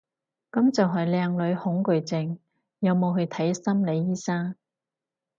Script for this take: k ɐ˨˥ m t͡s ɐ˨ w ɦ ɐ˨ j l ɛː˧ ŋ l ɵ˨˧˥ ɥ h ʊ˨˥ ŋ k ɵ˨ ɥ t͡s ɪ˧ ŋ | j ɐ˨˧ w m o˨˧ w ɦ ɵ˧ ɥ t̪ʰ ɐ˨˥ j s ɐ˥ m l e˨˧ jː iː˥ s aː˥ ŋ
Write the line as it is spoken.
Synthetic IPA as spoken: k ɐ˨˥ m t͡s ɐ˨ w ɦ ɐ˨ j l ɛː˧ ŋ l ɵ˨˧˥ ɥ h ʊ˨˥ ŋ k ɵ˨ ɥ t͡s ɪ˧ ŋ | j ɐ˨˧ w m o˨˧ w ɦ ɵ˧ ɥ t̪ʰ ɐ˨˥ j s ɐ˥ m l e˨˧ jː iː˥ s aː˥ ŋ